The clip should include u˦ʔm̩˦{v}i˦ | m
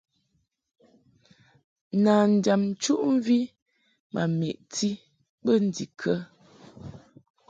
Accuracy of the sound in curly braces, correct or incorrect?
correct